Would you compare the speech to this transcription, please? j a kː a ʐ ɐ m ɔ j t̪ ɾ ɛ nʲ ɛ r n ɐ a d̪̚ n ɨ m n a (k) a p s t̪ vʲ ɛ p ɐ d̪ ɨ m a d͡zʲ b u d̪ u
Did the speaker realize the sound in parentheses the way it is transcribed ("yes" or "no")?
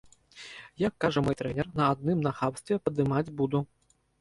no